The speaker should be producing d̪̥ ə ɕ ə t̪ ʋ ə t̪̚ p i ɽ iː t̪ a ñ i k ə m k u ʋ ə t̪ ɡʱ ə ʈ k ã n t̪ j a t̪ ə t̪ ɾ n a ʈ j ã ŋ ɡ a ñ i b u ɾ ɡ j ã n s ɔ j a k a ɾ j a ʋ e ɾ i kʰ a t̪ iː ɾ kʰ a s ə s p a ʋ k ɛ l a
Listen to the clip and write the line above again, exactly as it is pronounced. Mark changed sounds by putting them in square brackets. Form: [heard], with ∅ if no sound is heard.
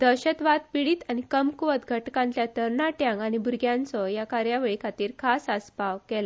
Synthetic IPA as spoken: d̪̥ ə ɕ ə t̪ ʋ [a] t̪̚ p i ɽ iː t̪ a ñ i k ə m k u ʋ ə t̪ ɡʱ ə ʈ k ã n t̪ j a t̪ ə [∅] ɾ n a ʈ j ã ŋ ɡ a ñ i b u ɾ ɡ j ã n [t͡s] ɔ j a k a ɾ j a ʋ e [ɭ] i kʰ a t̪ iː ɾ kʰ a s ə s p a ʋ k ɛ l a